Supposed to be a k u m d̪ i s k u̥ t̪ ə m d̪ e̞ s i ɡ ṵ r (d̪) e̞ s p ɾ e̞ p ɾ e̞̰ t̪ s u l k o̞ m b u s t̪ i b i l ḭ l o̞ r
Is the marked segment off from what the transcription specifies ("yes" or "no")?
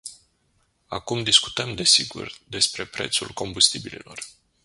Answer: no